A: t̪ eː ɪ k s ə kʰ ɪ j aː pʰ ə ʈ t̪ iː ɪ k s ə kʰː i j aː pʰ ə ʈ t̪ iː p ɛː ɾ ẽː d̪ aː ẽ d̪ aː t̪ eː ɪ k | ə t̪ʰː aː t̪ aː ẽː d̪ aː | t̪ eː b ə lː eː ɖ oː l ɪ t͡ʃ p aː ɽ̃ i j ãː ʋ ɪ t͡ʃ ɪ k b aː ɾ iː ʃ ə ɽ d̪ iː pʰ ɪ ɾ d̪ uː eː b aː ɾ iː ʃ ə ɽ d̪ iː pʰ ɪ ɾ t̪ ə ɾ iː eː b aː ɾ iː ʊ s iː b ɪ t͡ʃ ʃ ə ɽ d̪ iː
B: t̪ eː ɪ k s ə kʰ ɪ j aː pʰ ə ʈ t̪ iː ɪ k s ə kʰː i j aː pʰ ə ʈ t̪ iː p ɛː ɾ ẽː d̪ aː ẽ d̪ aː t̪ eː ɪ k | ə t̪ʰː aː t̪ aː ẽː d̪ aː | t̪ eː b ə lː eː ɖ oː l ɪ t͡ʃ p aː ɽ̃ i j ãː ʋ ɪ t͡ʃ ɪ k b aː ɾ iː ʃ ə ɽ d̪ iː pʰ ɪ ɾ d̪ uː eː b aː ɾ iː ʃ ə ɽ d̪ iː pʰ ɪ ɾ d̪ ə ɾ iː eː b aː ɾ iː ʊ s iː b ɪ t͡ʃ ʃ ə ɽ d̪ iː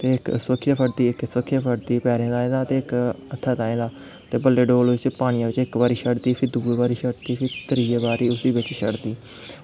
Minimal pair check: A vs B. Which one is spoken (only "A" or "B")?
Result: A